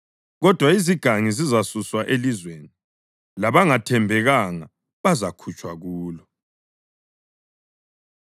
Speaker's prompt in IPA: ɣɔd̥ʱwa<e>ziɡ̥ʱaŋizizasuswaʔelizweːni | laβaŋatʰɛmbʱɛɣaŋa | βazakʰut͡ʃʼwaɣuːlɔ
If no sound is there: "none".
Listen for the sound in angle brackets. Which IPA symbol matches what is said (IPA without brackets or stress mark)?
i